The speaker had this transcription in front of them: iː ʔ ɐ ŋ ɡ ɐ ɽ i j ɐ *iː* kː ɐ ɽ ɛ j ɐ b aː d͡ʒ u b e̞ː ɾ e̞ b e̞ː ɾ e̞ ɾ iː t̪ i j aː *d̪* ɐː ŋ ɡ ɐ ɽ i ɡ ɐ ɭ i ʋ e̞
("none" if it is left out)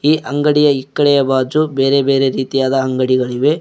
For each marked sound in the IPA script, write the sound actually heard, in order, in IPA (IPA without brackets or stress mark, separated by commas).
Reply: i, d̪